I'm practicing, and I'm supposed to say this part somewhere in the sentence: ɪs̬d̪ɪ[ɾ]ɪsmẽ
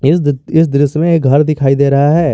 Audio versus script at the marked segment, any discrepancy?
no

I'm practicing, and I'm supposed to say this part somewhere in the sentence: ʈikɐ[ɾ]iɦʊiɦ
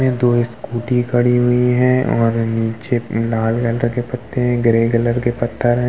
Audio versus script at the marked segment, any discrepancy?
yes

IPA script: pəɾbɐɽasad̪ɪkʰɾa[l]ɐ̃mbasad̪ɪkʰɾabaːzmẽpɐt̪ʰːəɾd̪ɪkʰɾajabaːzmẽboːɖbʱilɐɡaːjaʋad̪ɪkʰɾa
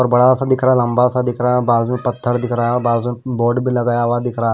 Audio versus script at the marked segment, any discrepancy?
no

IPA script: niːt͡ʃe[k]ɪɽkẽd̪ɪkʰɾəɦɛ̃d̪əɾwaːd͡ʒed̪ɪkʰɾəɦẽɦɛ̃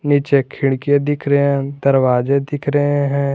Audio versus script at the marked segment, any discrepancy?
yes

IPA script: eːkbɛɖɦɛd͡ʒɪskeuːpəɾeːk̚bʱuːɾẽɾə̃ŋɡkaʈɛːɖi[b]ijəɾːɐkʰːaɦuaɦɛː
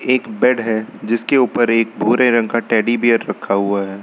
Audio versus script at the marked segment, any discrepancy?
no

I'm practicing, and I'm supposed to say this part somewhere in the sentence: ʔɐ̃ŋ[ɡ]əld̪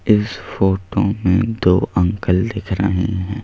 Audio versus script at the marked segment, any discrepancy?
yes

